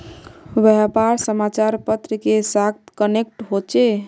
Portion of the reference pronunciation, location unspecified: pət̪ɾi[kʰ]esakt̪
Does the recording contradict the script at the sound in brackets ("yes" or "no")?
yes